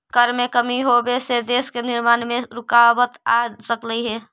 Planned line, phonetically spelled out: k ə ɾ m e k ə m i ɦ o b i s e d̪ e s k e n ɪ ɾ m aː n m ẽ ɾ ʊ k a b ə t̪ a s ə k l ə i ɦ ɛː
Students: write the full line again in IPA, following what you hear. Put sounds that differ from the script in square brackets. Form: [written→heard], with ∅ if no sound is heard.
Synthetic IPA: k ə ɾ m e k ə m i ɦ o b [i→e] s e d̪ e s k e n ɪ ɾ m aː n m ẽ ɾ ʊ k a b ə t̪ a s ə k l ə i ɦ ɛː